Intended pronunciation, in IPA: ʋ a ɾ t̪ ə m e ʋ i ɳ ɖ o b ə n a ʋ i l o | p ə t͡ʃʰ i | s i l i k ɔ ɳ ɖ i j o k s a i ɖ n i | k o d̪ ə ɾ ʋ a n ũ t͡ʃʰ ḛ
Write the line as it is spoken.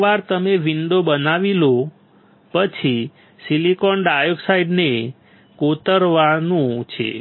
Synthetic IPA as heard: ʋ a ɾ t̪ ə m e ʋ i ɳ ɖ o b ə n a ʋ i l o | p ə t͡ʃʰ i | s i l i k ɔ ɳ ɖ a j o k s a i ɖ n e | k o t̪ ə ɾ ʋ a n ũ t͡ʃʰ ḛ